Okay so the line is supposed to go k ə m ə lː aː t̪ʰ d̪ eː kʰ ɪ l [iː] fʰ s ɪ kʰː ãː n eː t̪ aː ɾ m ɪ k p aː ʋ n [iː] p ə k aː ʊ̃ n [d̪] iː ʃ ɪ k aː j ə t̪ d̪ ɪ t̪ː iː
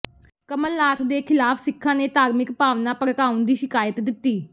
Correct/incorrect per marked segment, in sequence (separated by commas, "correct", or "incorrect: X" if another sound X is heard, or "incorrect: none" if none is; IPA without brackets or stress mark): incorrect: aː, incorrect: aː, correct